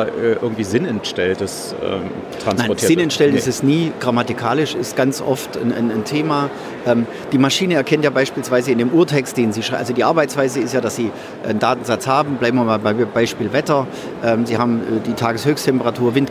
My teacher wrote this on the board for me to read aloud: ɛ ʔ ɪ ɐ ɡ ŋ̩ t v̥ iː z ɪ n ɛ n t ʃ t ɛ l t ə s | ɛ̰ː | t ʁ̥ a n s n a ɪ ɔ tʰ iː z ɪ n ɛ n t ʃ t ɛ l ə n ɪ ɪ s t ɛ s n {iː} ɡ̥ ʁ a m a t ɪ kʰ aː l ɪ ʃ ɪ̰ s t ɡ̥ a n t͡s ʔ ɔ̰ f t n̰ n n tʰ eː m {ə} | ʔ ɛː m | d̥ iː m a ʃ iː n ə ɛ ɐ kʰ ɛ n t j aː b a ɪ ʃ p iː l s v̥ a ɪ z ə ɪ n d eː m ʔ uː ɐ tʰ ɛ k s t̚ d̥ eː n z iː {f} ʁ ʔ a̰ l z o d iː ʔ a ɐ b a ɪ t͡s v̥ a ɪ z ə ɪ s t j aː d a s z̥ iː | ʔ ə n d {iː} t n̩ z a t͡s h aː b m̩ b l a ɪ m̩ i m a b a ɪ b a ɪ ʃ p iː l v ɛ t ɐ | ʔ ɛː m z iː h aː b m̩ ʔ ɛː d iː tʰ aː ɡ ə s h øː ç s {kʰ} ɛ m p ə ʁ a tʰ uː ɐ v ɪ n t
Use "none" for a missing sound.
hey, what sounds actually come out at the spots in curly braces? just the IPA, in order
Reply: iː, a, ʃ, aː, tʰ

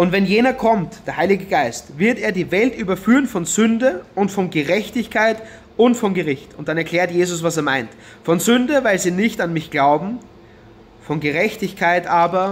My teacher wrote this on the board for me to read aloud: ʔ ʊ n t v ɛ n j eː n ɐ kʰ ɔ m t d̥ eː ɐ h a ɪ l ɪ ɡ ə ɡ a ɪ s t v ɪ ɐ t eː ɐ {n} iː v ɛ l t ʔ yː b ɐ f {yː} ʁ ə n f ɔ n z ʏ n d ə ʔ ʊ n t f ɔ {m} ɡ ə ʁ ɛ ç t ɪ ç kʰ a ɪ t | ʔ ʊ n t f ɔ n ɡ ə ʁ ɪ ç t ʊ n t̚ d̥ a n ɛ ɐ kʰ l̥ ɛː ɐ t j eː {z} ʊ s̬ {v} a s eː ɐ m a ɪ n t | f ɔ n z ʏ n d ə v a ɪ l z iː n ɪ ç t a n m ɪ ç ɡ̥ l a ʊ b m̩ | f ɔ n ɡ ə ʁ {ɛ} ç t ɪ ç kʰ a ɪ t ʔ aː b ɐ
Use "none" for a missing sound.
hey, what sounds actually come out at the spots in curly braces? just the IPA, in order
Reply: d, yː, n, z, v, ɛ

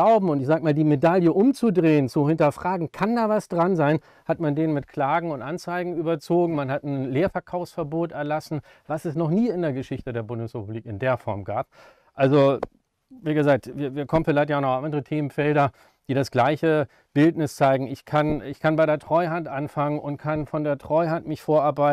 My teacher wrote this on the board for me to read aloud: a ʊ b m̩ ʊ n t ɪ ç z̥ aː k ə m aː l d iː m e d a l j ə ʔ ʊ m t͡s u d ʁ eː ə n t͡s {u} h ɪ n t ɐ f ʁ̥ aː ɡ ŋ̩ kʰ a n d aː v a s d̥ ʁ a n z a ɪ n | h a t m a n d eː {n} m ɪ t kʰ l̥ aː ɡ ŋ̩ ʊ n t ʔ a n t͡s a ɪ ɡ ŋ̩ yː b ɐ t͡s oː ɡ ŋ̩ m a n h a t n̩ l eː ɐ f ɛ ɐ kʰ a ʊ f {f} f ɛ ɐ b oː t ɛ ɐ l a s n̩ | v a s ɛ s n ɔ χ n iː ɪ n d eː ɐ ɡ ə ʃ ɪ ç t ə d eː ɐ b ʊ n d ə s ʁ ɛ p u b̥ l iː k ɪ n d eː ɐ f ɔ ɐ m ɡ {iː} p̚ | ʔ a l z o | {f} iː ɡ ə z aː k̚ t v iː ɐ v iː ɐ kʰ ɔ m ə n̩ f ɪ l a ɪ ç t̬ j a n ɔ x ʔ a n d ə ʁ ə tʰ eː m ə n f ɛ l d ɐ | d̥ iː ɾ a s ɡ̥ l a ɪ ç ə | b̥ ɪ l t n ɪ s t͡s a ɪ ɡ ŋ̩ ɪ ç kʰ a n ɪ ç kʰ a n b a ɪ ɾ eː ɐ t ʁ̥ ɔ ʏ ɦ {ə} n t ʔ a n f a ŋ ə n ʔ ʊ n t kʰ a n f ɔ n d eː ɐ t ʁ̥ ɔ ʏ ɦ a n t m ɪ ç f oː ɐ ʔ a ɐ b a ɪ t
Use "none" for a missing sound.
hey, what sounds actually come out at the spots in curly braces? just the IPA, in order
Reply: u, n, s, aː, v, a

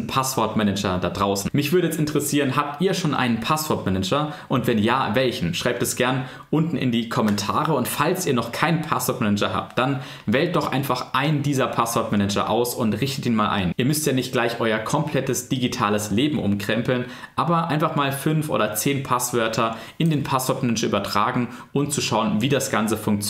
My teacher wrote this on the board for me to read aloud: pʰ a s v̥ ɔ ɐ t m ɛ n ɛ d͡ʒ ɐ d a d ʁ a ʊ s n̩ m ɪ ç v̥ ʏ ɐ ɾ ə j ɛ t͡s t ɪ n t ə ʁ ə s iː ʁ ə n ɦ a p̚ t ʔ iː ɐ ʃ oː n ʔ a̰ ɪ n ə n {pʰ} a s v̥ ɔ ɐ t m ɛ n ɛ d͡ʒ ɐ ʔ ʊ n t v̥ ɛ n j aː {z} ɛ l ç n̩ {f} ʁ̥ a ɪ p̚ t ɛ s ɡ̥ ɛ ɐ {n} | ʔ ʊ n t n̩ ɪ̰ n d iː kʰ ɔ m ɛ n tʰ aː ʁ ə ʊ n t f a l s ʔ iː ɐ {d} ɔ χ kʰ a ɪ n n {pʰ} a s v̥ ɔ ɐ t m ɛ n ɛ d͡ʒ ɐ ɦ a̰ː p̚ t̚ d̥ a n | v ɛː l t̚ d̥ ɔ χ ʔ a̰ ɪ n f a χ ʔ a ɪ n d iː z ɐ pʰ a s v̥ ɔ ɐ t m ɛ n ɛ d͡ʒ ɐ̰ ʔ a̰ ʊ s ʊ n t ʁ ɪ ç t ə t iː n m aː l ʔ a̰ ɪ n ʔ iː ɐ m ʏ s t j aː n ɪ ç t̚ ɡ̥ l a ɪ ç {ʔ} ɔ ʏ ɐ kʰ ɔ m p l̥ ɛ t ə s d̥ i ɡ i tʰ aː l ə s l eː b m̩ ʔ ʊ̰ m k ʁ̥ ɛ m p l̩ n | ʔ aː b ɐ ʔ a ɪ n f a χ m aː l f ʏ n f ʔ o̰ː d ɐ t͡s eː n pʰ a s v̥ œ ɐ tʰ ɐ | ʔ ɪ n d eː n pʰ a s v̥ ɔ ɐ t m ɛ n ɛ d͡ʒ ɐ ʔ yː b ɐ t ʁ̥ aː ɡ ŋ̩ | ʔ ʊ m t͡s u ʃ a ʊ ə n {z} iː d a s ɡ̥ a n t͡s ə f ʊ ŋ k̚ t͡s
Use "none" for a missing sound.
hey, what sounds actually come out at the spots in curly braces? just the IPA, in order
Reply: pʰ, v, ʃ, n, n, pʰ, ʔ, v

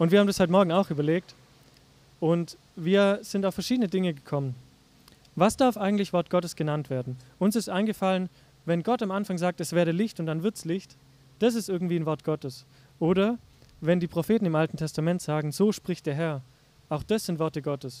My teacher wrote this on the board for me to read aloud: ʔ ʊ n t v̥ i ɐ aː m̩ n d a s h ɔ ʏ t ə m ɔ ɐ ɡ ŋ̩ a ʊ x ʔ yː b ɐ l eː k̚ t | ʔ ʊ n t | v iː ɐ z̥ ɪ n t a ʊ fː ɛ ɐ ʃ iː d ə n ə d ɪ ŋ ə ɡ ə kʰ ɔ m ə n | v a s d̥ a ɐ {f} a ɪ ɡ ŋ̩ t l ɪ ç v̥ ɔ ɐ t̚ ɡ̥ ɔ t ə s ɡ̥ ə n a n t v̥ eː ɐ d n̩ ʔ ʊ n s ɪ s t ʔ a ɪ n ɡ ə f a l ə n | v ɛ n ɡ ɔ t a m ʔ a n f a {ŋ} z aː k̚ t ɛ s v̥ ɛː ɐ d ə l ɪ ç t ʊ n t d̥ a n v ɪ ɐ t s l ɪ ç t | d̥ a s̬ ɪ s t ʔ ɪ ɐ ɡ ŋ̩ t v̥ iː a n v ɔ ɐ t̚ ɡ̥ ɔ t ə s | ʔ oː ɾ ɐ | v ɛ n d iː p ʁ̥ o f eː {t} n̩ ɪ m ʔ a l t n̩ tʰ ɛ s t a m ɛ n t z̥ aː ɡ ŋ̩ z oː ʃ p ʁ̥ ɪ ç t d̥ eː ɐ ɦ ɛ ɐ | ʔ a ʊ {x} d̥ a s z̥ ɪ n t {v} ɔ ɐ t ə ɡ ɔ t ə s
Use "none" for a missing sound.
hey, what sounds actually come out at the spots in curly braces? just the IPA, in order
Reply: f, ŋ, t, x, v

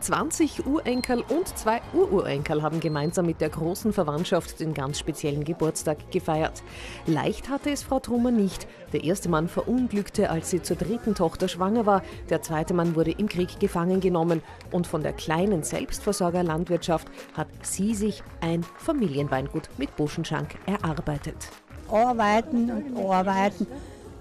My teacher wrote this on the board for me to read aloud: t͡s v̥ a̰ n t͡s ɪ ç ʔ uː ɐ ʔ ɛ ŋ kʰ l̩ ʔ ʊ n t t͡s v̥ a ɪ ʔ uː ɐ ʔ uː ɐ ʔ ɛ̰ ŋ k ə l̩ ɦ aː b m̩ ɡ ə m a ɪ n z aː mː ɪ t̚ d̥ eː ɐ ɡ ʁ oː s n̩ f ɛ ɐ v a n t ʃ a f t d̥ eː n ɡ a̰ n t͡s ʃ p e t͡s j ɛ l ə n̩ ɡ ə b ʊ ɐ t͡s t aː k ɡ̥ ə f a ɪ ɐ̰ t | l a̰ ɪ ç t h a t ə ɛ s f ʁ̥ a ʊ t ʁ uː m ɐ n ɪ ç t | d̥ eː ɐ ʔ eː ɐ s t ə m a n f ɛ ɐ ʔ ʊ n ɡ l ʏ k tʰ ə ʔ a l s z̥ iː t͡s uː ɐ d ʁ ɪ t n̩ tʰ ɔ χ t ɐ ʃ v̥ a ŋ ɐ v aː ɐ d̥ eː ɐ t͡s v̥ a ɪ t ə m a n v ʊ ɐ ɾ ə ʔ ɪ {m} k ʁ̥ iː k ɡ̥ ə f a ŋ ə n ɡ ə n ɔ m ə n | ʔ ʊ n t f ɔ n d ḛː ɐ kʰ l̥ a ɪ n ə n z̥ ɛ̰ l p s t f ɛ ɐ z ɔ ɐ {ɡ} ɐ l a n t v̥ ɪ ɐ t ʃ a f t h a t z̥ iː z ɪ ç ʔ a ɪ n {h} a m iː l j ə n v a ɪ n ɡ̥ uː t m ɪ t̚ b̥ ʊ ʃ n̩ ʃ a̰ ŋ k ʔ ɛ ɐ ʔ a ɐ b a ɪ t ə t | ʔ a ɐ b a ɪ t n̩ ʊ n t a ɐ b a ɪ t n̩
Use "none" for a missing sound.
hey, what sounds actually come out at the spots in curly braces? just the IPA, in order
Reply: m, ɡ, f

